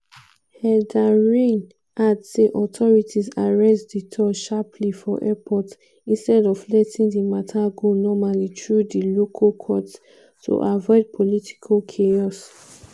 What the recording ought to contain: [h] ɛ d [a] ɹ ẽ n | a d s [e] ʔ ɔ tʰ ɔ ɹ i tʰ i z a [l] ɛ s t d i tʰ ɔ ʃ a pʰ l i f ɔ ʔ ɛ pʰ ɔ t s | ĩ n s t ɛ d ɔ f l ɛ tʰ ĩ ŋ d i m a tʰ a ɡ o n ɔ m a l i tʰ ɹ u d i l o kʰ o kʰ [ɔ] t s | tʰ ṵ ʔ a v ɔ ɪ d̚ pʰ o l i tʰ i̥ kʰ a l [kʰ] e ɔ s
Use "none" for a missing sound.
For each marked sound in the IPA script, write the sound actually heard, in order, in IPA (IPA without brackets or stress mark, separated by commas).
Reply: h, a, e, ɹ, ɔ, kʰ